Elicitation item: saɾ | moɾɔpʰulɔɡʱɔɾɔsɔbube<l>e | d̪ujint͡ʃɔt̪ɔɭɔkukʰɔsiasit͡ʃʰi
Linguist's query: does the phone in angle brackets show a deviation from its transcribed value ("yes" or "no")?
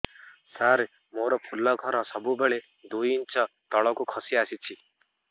yes